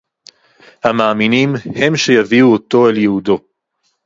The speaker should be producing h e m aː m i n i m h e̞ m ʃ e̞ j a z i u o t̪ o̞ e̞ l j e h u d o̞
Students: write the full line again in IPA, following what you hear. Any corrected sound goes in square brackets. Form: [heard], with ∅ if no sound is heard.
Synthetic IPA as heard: h [a] m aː m i n i m h e̞ m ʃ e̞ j a [v] i u o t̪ o̞ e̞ l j e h u d o̞